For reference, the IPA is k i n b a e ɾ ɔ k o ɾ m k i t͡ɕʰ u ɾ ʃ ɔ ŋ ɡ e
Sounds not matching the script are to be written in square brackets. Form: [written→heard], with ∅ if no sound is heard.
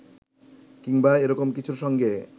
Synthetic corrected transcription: k i [n→ŋ] b a e ɾ ɔ k o [ɾ→∅] m k i t͡ɕʰ u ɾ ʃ ɔ ŋ ɡ e